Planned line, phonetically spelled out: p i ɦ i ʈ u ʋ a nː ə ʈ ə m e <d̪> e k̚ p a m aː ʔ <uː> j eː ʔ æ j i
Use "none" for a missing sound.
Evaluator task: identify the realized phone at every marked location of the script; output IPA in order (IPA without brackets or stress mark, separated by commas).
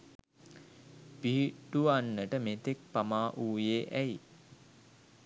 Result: t̪, uː